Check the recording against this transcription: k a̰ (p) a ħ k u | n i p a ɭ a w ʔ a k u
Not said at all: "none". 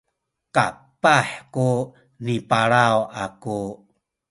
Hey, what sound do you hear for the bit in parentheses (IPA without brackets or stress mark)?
p